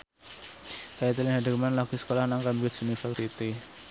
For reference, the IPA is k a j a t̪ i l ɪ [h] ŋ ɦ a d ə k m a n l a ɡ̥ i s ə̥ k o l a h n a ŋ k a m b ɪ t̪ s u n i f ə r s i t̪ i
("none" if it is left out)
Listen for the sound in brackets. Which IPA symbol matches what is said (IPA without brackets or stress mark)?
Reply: none